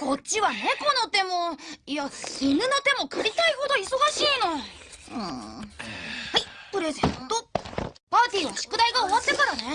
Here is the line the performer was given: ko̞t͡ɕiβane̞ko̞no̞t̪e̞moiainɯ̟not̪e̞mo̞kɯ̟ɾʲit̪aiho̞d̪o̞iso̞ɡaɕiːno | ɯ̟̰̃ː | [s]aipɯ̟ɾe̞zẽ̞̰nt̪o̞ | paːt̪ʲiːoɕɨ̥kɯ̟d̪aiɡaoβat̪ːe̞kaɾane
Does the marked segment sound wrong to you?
yes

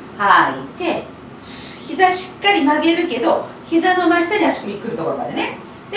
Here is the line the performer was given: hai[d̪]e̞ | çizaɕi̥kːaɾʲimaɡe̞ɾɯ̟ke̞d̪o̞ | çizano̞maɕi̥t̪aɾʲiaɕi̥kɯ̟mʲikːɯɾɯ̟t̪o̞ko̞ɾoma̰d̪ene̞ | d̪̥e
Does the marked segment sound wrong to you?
yes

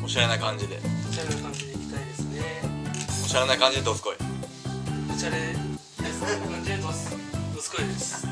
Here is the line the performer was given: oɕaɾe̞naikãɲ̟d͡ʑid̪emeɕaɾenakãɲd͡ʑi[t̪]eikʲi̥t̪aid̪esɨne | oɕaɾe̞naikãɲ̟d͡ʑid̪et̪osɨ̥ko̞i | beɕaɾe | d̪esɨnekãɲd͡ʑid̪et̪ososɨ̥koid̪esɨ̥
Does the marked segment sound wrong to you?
yes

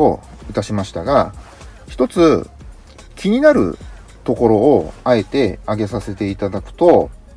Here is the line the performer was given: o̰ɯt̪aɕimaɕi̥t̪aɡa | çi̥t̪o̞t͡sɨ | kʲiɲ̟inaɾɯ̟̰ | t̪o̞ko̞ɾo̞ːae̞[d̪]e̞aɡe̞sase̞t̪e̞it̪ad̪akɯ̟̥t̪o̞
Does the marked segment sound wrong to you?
yes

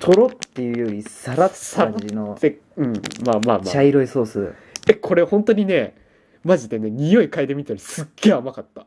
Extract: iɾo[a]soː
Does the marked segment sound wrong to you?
yes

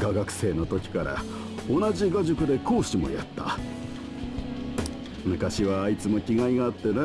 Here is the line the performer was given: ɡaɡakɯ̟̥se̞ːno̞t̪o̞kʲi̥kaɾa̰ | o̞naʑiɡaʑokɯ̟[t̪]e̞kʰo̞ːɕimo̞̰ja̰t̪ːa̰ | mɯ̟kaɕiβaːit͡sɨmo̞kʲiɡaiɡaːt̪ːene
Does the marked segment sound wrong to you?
yes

